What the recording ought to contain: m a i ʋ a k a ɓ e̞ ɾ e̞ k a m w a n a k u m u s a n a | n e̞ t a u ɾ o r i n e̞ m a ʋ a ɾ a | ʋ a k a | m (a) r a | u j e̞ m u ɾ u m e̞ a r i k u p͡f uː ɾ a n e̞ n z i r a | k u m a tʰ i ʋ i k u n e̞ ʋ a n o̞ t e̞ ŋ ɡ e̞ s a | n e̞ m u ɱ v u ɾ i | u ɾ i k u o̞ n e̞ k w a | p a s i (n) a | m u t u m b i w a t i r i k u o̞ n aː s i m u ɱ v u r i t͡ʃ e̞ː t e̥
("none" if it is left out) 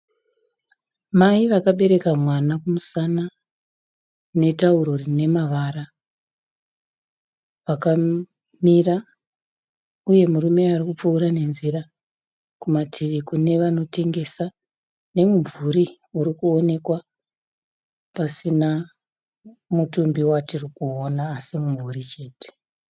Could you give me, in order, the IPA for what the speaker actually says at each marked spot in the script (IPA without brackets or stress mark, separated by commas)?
i, n